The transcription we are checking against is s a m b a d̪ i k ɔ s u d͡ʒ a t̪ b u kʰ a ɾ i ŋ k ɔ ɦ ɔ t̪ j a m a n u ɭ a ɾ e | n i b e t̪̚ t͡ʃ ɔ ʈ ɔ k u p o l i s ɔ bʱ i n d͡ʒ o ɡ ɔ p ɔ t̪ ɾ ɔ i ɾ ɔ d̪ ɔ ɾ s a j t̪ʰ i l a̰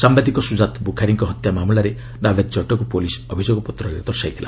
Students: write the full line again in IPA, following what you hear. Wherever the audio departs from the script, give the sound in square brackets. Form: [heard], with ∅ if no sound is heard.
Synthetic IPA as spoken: s a m b a d̪ i k ɔ s u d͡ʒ a t̪ b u kʰ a ɾ i ŋ k ɔ ɦ ɔ t̪ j a m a [m] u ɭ a ɾ e | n [a] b e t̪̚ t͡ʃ ɔ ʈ ɔ k u p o l i s ɔ bʱ i [∅] d͡ʒ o ɡ ɔ p ɔ t̪ ɾ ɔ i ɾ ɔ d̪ ɔ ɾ s a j t̪ʰ i l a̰